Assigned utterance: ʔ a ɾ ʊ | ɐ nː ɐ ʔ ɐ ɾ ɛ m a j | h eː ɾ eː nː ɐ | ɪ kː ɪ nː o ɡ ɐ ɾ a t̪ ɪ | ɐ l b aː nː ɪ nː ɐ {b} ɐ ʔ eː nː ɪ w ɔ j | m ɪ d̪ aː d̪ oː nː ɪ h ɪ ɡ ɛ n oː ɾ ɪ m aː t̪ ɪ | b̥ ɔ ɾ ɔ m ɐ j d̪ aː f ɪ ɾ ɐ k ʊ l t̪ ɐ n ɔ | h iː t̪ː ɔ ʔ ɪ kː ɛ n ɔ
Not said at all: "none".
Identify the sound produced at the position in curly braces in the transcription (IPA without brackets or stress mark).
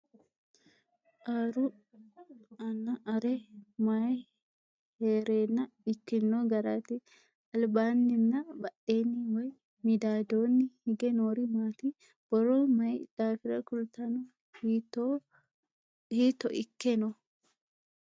b